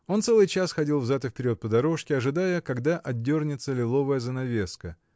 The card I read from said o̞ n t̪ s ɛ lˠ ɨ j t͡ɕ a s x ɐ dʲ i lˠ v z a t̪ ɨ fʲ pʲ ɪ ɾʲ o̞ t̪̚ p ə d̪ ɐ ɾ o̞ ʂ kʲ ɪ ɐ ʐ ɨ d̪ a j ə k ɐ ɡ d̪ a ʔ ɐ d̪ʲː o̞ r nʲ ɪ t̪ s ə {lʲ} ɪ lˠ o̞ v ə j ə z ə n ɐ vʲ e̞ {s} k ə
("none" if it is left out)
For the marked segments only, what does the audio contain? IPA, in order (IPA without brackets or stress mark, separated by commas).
lʲ, s